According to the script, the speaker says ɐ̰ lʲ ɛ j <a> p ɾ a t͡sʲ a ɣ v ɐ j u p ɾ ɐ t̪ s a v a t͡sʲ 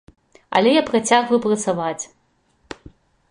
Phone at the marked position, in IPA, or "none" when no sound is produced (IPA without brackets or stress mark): a